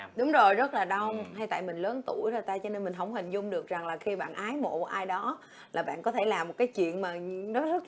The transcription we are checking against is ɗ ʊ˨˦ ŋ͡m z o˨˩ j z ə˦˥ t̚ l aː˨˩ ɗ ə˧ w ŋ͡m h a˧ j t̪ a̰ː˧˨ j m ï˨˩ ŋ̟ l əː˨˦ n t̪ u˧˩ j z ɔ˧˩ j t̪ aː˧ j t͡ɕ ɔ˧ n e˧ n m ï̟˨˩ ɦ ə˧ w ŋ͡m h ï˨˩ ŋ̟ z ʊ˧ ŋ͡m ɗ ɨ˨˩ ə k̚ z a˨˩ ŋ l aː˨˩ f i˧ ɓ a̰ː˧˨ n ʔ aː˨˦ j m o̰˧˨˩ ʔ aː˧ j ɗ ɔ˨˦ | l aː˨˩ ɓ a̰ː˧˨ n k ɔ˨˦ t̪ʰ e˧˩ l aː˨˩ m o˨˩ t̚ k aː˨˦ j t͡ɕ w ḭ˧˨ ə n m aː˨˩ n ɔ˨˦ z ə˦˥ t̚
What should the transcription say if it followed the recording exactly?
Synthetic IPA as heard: ɗ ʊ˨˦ ŋ͡m z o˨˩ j z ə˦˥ t̚ l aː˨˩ ɗ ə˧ w ŋ͡m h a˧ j t̪ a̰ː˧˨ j m ï˨˩ ŋ̟ l əː˨˦ n t̪ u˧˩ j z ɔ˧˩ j t̪ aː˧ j t͡ɕ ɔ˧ n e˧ n m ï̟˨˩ ɦ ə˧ w ŋ͡m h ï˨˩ ŋ̟ z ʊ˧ ŋ͡m ɗ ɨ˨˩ ə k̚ z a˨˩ ŋ l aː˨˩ x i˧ ɓ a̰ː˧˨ n ʔ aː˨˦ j m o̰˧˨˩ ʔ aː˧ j ɗ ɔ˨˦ | l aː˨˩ ɓ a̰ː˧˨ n k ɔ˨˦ t̪ʰ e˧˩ l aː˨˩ m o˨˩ t̚ k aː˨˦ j t͡ɕ w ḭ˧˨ ə n m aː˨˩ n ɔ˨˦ z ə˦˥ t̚